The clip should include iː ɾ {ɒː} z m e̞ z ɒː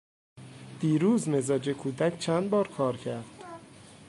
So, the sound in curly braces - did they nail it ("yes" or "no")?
no